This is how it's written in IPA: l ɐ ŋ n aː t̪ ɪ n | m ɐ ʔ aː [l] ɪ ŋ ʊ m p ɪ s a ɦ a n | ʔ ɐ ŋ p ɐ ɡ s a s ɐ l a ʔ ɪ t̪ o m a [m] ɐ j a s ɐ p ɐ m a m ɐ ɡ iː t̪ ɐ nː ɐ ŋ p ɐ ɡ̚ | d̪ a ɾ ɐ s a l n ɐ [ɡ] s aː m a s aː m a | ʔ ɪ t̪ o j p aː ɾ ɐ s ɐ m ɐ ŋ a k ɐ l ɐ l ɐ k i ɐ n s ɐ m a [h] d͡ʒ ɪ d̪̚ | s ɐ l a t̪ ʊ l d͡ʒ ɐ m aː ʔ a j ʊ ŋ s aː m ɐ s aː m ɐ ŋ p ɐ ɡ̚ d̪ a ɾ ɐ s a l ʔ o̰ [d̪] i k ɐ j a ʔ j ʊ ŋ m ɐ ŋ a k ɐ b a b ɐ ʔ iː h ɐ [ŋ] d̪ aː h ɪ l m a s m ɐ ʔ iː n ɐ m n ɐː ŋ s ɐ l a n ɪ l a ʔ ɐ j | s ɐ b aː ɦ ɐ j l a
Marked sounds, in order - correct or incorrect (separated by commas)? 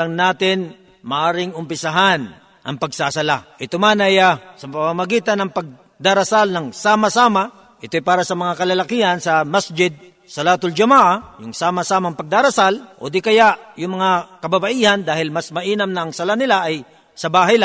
incorrect, incorrect, incorrect, incorrect, correct, incorrect